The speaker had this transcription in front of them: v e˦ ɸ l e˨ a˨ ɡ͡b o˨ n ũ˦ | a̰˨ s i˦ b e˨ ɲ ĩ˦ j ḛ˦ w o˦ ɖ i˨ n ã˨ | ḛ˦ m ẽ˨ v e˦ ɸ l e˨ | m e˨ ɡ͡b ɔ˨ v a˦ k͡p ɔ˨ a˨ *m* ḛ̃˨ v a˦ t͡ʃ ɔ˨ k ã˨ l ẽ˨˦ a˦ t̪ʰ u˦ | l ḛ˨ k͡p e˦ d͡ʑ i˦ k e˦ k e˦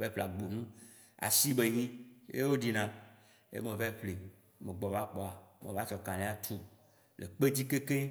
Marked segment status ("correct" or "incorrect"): correct